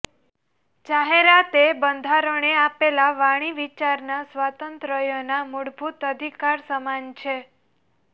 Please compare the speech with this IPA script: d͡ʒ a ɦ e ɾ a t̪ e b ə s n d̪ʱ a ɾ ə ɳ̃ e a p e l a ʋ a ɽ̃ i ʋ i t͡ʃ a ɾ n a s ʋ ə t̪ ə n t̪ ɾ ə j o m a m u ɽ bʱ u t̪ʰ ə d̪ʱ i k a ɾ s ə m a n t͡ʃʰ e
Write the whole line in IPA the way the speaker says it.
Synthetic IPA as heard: d͡ʒ a ɦ e ɾ a t̪ e b ə n d̪ʱ a ɾ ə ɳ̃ e a p e l a ʋ a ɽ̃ i ʋ i t͡ʃ a ɾ n a s ʋ a t̪ ə n t̪ ɾ ə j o n a m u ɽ bʱ u t̪ ə d̪ʱ i k a ɾ s ə m a n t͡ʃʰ e